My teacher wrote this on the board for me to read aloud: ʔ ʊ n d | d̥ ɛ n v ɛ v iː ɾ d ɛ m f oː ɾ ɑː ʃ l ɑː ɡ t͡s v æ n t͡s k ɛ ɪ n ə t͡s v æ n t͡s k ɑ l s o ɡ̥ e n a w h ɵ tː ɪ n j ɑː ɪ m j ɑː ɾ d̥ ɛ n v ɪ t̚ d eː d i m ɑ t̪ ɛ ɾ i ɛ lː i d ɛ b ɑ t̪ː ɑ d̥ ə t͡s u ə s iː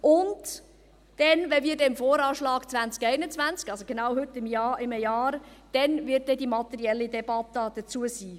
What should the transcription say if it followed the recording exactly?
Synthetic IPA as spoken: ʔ ʊ n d | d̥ ɛ n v ɛ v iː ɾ d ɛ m f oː ɾ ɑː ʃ l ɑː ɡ t͡s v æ n t͡s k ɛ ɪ n ə t͡s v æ n t͡s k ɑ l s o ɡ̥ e n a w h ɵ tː ɪ m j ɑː ɪ m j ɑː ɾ d̥ ɛ n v ɪ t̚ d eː d i m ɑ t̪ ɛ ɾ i ɛ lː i d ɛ b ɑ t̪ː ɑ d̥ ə t͡s u ə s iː